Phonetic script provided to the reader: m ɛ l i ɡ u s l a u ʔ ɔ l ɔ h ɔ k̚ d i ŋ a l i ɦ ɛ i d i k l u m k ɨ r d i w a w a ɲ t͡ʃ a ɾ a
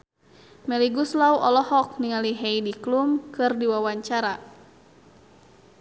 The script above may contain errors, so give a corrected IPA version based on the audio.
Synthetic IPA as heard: m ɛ l i ɡ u s l a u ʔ ɔ l ɔ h ɔ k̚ n i ŋ a l i ɦ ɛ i d i k l u m k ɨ r d i w a w a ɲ t͡ʃ a ɾ a